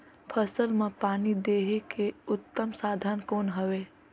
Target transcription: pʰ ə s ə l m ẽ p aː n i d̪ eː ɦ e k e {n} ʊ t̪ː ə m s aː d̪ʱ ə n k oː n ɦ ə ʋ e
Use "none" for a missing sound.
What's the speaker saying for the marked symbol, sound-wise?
none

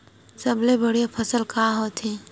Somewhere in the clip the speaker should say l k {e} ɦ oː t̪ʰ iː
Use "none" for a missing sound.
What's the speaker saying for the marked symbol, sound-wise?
a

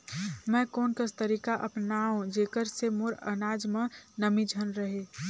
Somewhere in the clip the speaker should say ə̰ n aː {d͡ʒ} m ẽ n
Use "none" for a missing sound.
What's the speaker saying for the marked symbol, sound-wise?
d͡ʒ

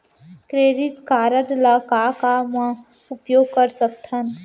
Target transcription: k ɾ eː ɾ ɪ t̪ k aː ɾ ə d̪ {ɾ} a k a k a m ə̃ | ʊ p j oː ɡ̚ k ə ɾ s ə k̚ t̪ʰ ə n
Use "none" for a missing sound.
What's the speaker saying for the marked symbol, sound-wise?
l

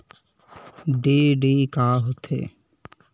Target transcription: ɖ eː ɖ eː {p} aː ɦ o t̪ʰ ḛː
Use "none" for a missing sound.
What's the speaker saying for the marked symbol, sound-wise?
k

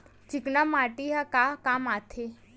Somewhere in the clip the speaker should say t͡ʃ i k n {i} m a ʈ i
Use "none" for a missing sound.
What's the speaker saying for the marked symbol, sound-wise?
a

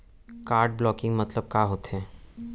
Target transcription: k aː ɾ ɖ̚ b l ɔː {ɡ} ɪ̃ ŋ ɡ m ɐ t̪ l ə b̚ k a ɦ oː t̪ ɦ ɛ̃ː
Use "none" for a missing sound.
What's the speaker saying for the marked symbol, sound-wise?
k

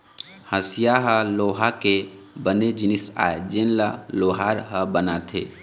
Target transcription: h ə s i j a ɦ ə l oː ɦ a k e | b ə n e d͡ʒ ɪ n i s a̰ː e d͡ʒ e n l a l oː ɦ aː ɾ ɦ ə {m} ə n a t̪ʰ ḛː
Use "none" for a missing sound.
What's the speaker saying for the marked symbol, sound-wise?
b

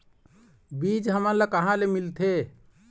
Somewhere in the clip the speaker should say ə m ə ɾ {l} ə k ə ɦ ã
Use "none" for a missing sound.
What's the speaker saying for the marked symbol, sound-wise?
l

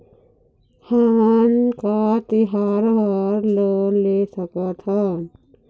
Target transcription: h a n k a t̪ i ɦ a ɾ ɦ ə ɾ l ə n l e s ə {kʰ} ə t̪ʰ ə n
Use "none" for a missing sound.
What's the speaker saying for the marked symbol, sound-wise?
k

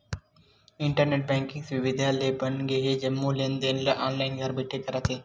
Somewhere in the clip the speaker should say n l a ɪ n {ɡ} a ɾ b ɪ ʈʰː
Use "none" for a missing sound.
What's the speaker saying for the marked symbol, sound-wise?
ɡ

